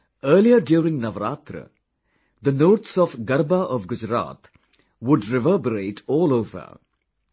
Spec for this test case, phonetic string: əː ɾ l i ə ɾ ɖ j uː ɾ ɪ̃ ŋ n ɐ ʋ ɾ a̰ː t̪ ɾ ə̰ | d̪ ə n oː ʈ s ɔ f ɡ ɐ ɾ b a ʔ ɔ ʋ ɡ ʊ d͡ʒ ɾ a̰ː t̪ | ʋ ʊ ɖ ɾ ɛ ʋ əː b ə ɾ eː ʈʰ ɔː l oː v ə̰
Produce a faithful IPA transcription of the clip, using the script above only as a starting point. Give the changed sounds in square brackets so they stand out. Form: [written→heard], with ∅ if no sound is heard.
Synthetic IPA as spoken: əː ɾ l i ə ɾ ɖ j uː ɾ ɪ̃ ŋ n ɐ ʋ ɾ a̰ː t̪ ɾ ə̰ | d̪ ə n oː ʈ s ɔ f ɡ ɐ ɾ b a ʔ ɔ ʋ ɡ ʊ d͡ʒ ɾ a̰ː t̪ | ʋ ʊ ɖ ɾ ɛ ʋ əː b ə ɾ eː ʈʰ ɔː l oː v ə̰

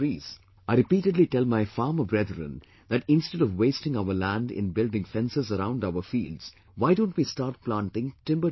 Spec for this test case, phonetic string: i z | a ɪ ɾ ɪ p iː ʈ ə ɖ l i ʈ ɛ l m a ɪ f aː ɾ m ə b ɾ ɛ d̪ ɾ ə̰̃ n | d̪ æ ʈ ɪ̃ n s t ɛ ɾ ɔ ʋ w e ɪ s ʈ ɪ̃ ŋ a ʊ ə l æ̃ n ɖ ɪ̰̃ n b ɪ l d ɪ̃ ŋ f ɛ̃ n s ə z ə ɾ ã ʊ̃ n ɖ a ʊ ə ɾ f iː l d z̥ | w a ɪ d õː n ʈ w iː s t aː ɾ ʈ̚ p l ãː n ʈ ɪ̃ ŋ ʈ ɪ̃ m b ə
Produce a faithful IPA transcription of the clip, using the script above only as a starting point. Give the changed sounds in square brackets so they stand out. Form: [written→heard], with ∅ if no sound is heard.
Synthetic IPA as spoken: i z | a ɪ ɾ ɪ p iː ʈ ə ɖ l i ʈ ɛ l m a ɪ f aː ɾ m ə b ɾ ɛ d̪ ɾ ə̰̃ n | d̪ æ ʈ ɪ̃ n s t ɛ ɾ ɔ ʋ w e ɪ s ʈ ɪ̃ ŋ a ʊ ə l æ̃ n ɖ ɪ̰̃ n b ɪ l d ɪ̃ ŋ f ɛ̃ n s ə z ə ɾ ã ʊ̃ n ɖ a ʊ ə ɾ f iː l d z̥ | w a ɪ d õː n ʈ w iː s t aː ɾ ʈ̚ p l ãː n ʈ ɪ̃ ŋ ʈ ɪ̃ m b ə

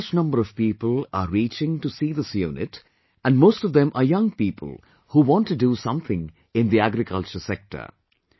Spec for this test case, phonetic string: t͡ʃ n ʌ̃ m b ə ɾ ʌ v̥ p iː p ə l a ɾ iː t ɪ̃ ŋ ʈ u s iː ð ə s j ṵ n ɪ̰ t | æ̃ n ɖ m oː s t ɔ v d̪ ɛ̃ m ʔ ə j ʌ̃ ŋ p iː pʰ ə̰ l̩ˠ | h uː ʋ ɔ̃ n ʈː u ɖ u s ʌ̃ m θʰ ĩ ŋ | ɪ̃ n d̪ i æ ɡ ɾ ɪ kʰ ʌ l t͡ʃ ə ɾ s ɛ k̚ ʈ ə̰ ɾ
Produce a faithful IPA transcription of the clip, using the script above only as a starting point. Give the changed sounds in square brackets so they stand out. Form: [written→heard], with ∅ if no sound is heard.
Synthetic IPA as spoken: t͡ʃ n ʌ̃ m b ə ɾ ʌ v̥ p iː p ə l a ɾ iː [t→t͡ʃ] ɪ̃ ŋ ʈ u s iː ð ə s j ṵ n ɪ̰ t | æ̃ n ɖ m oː s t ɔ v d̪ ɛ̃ m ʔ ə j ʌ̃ ŋ p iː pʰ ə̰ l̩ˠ | h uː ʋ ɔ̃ n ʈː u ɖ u s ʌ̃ m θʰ [ĩ→ɪ̃] ŋ | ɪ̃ n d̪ i æ ɡ ɾ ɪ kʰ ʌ l t͡ʃ ə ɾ s ɛ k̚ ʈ ə̰ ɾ

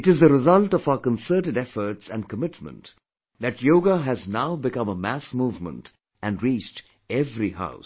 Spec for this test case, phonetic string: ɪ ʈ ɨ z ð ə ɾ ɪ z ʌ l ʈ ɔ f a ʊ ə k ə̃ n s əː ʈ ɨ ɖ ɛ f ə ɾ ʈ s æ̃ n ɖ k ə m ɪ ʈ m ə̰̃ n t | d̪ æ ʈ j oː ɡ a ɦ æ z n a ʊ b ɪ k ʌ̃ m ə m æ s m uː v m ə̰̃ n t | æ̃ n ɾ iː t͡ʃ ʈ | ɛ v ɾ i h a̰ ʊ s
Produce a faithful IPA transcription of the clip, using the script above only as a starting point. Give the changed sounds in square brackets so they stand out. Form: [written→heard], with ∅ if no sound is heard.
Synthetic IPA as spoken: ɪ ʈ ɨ z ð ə ɾ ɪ z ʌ l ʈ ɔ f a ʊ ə k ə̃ n s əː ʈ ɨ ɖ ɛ f ə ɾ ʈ s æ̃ n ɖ k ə m ɪ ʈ m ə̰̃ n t | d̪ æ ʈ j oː ɡ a ɦ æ z n a ʊ b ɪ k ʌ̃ m ə m æ s m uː v m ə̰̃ n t | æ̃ n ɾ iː t͡ʃ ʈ | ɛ v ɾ i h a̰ ʊ s

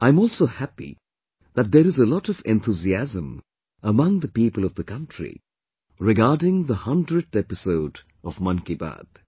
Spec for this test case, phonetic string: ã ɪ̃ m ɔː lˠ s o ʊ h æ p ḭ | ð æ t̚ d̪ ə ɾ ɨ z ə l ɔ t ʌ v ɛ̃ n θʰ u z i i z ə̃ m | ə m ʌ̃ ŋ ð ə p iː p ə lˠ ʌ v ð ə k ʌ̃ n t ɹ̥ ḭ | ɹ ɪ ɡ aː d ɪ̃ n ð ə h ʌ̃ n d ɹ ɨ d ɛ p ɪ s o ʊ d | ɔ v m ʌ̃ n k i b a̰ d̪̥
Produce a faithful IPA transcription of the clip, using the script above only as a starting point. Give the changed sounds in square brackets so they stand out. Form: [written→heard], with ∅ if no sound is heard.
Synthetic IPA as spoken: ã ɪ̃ m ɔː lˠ s o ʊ h æ p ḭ | ð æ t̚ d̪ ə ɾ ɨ z ə l ɔ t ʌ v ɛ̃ n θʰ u z i [i→æ] z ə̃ m | ə m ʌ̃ ŋ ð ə p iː p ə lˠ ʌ v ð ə k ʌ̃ n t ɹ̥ ḭ | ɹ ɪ ɡ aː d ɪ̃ [n→ŋ] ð ə h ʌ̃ n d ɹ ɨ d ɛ p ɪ s o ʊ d | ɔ v m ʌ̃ n k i b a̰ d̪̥

